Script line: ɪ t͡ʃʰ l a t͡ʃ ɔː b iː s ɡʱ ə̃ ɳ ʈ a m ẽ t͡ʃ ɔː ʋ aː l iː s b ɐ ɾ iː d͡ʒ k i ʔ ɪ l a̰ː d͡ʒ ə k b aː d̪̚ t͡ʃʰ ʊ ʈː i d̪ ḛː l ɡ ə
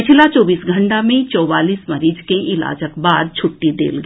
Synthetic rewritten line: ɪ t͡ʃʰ l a t͡ʃ ɔː b iː s ɡʱ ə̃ ɳ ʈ a m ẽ t͡ʃ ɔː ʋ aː l iː s m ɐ ɾ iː d͡ʒ k e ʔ ɪ l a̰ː d͡ʒ ə k b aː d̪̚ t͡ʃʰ ʊ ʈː i d̪ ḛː l ɡ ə